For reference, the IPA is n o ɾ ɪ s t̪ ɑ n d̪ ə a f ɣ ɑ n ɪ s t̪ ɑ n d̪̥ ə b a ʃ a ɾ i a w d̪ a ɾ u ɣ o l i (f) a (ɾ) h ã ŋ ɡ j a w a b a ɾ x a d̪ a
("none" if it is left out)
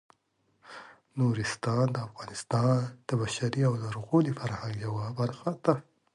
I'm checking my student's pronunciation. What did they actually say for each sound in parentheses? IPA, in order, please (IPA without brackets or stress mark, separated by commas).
f, ɾ